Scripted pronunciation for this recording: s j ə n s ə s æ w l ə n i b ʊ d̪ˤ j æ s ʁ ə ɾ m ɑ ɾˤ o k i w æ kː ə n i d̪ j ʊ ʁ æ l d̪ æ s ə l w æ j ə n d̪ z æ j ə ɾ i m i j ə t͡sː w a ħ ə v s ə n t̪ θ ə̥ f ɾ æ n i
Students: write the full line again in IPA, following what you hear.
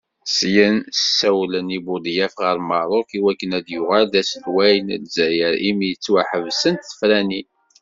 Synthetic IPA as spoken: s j ə n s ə s æ w l ə n i b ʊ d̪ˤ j æ f ʁ ə ɾ m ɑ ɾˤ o k i w æ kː ə n æ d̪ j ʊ ʁ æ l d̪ æ s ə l w æ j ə n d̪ z æ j ə ɾ i m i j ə t͡sː w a ħ ə v s ə n t̪ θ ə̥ f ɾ æ n i